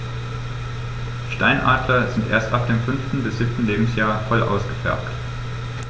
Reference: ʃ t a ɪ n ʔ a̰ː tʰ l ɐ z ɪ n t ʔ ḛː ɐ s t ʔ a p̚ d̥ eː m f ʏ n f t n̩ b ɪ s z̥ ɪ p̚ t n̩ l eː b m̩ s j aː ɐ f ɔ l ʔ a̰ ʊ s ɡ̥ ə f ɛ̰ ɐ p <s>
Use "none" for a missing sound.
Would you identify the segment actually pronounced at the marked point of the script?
t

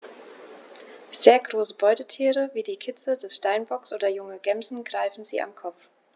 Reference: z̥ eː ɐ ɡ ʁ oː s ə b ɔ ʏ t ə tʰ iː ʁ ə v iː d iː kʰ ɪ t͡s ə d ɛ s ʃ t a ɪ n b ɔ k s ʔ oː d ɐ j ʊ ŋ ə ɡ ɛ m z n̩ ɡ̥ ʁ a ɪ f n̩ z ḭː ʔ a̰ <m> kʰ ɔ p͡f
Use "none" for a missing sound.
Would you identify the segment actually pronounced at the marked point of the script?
m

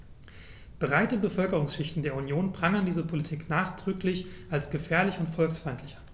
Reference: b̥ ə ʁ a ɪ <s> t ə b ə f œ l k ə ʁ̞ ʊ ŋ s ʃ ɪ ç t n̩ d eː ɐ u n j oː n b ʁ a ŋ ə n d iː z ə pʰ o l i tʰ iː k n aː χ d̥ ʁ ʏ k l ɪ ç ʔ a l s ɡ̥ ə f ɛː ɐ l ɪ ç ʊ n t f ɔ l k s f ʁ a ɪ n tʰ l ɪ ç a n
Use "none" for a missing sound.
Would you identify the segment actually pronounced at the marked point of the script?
none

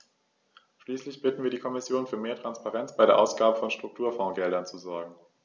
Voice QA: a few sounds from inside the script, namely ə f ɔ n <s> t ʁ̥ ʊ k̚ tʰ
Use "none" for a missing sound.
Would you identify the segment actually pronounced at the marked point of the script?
ʃ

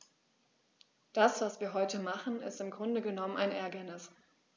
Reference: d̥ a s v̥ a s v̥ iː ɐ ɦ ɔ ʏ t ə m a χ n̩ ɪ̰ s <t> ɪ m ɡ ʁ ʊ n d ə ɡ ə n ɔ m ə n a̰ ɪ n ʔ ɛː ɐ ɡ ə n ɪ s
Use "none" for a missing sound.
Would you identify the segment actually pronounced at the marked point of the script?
t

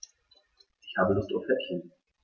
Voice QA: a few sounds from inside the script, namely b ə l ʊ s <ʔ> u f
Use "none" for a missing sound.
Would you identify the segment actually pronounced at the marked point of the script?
t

